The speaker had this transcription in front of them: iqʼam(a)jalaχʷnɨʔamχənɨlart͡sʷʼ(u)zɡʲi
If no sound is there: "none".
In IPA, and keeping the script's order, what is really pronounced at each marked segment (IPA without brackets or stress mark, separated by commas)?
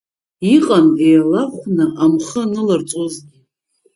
e, o